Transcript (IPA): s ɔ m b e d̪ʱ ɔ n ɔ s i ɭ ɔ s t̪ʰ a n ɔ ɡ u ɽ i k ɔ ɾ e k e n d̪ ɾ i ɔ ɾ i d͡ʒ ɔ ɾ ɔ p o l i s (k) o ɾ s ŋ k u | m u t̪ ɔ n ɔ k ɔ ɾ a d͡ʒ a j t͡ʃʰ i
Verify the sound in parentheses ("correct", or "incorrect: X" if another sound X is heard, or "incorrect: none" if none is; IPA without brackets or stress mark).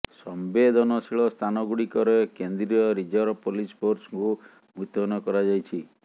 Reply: incorrect: p